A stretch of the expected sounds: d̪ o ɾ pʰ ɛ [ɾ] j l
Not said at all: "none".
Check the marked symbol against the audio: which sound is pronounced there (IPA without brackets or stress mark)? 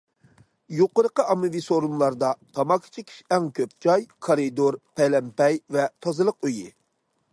none